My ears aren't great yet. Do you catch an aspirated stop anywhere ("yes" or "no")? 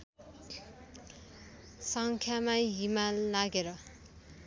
yes